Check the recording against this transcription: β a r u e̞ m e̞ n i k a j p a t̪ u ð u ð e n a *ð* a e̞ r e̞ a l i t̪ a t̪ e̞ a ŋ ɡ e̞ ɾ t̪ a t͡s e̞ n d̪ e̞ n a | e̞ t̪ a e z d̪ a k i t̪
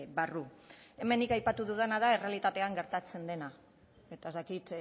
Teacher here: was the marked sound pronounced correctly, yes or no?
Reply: yes